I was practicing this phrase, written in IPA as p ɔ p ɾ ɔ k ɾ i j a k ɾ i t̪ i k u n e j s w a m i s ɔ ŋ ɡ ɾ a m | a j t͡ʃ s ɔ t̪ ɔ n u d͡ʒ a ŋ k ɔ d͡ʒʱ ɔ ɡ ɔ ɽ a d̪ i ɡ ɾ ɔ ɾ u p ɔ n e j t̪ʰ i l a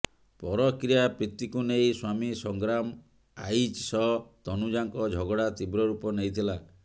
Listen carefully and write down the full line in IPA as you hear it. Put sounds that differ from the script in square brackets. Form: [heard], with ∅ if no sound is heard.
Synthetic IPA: p ɔ [∅] ɾ ɔ k ɾ i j a [p] ɾ i t̪ i k u n e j s w a m i s ɔ ŋ ɡ ɾ a m | a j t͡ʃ s ɔ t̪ ɔ n u d͡ʒ a ŋ k ɔ d͡ʒʱ ɔ ɡ ɔ ɽ a [t̪] i [b] ɾ ɔ ɾ u p ɔ n e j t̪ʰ i l a